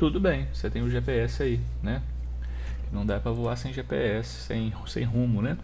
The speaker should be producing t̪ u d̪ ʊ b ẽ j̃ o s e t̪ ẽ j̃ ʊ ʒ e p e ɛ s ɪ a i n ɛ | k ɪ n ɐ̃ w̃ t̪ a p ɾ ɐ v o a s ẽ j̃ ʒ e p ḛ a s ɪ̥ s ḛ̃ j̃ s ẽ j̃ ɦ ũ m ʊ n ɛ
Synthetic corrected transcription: t̪ u d̪ ʊ b ẽ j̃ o s e t̪ ẽ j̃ ʊ ʒ e p e ɛ s ɪ a i n ɛ | k ɪ n ɐ̃ w̃ d̪ a p ɾ ɐ v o a s ẽ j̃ ʒ e p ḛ ɛ s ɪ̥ s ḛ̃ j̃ s ẽ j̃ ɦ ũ m ʊ n ɛ